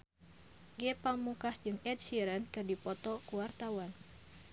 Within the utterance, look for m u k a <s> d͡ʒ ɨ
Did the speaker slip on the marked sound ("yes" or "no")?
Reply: yes